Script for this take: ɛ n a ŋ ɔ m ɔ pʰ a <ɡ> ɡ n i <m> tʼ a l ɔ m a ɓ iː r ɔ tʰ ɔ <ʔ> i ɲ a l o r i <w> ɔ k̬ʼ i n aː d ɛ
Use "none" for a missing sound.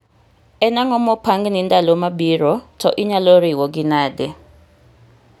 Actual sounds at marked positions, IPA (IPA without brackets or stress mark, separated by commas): ŋ, n, ʔ, w